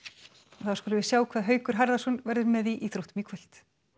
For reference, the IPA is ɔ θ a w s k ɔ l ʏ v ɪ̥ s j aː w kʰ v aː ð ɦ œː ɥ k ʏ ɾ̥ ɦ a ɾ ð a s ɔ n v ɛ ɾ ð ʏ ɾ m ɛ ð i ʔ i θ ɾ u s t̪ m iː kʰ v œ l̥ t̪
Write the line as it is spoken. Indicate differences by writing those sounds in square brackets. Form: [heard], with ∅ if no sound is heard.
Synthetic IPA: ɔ θ a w s k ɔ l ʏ v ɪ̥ s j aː w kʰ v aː ð ɦ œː ɥ k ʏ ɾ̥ ɦ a ɾ ð a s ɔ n v ɛ ɾ ð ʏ ɾ m ɛ ð i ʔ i θ ɾ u [h] t̪ m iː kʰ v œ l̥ t̪